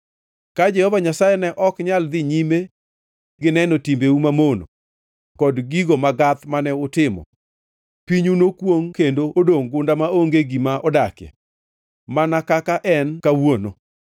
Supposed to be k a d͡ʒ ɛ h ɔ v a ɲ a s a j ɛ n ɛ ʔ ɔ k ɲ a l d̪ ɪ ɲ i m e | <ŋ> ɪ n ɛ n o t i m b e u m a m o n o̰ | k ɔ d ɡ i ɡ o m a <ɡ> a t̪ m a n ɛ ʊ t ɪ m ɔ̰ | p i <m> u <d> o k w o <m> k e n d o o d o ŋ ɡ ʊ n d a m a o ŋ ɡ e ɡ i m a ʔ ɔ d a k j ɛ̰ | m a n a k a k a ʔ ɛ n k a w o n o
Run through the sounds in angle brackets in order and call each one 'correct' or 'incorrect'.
incorrect: ɡ, correct, incorrect: ɲ, incorrect: n, incorrect: ŋ

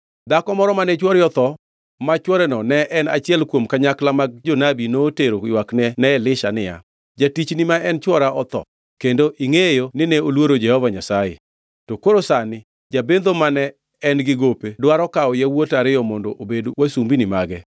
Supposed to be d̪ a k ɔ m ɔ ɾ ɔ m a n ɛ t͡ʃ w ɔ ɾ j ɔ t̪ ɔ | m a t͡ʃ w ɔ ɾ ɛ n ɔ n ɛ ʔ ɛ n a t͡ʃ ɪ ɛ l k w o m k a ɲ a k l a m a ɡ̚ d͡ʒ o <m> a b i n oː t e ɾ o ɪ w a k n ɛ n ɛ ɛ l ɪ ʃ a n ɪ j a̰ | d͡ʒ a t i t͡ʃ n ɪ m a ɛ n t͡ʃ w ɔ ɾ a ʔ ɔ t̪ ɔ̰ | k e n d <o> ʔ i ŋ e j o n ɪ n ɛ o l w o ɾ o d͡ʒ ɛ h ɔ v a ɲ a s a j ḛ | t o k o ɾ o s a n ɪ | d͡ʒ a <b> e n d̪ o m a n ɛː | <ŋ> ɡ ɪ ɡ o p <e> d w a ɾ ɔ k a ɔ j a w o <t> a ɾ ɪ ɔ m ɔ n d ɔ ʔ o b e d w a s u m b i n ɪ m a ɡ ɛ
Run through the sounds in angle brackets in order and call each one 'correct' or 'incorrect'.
incorrect: n, correct, correct, incorrect: n, correct, correct

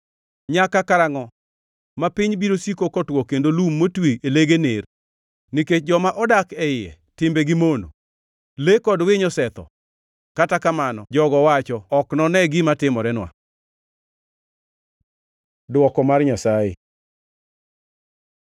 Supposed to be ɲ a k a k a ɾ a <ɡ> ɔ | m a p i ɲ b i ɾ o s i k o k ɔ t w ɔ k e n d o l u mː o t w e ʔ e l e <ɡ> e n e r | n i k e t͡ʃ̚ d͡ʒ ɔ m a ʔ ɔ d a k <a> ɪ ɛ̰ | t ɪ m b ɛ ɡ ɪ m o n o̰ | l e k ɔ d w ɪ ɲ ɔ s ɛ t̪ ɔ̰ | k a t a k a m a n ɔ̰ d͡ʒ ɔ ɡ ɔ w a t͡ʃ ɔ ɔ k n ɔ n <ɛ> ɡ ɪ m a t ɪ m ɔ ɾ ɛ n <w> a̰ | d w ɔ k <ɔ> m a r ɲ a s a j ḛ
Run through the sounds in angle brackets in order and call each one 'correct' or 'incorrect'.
incorrect: ŋ, correct, incorrect: ɛ, correct, correct, correct

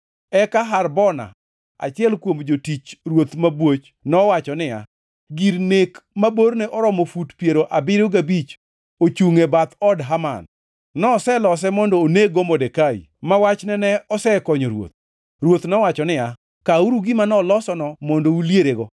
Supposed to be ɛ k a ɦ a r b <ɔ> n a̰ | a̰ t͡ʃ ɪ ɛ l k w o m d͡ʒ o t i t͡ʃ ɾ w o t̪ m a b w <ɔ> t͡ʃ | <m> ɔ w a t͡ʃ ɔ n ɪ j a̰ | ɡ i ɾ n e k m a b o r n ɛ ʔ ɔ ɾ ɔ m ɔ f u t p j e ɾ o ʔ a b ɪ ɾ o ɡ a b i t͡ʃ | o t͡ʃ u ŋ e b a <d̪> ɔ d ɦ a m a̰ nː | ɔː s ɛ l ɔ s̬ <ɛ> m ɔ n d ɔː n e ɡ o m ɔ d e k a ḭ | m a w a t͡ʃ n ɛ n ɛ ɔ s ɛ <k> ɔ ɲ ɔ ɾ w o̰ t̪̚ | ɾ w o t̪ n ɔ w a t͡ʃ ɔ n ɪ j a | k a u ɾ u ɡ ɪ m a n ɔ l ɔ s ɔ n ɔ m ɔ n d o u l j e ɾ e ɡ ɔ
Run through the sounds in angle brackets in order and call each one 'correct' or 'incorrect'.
correct, incorrect: o, incorrect: n, incorrect: t̪, correct, correct

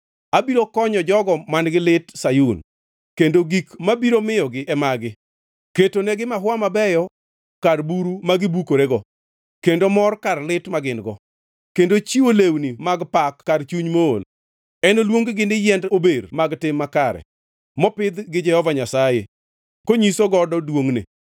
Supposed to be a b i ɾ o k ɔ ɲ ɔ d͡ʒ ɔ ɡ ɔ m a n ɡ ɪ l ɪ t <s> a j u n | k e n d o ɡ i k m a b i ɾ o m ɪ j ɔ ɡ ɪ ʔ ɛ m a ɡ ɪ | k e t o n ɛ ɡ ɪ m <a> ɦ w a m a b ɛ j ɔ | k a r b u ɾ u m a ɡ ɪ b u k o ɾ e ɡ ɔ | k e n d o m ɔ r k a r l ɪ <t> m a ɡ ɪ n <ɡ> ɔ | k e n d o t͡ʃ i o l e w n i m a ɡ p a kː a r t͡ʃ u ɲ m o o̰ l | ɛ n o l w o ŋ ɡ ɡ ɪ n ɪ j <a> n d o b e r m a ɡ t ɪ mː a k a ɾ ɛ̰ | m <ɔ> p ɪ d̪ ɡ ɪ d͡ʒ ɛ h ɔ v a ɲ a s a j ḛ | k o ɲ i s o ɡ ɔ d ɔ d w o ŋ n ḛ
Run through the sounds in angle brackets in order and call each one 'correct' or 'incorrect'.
correct, correct, correct, correct, incorrect: ɛ, correct

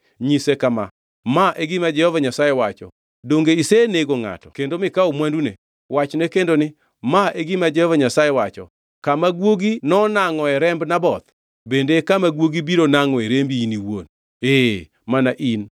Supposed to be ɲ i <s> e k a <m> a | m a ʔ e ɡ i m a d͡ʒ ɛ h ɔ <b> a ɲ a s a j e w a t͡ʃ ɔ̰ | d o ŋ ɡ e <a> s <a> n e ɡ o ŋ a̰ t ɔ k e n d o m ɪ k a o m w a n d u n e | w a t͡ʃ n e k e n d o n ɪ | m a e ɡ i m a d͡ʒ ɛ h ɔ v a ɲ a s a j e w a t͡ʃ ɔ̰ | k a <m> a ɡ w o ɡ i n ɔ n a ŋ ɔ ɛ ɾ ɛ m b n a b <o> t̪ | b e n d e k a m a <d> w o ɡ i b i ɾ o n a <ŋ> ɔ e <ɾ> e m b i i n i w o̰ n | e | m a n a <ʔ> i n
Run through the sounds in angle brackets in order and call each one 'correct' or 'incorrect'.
correct, correct, incorrect: v, incorrect: i, incorrect: e, correct, incorrect: ɔ, incorrect: ɡ, correct, correct, correct

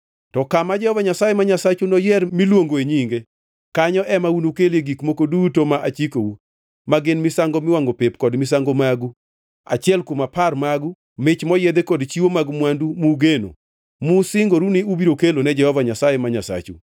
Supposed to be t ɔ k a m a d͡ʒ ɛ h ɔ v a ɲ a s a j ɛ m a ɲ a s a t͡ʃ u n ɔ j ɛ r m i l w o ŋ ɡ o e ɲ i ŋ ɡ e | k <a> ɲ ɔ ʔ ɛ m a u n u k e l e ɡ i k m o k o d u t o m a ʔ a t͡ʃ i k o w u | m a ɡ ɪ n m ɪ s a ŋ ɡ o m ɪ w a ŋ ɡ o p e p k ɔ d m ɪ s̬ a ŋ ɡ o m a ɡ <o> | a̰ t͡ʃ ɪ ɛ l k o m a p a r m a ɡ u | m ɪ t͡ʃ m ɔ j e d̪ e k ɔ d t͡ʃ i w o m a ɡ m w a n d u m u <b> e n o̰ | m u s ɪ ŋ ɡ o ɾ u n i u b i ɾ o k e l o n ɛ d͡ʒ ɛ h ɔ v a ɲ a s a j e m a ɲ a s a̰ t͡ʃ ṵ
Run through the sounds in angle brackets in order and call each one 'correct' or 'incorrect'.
correct, incorrect: u, incorrect: ɡ

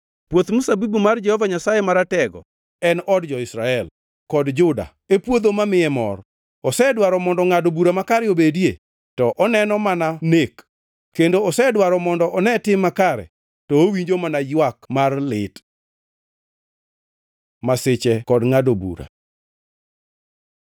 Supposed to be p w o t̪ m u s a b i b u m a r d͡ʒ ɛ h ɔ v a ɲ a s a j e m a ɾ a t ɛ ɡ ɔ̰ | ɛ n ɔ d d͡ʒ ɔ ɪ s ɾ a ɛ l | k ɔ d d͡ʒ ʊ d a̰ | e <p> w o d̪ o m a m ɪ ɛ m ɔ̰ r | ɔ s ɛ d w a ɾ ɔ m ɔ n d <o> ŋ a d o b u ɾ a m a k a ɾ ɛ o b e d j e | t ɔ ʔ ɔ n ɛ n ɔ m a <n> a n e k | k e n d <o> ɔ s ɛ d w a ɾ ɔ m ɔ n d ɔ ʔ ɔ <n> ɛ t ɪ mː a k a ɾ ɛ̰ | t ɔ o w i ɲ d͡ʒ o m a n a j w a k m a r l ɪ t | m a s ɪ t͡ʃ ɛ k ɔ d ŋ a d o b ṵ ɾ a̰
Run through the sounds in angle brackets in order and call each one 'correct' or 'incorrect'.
correct, incorrect: ɔ, correct, correct, correct

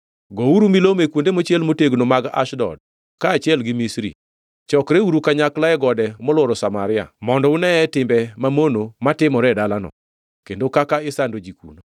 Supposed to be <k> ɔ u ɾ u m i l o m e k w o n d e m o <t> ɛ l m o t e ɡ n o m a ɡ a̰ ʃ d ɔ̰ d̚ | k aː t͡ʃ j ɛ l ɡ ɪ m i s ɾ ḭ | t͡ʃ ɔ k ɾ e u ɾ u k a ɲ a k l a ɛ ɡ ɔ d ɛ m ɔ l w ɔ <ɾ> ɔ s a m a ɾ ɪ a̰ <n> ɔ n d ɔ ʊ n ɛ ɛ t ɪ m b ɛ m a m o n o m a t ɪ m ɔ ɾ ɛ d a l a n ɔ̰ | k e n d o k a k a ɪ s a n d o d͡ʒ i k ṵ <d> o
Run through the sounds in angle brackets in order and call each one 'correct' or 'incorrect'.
incorrect: ɡ, incorrect: t͡ʃ, correct, incorrect: m, incorrect: n

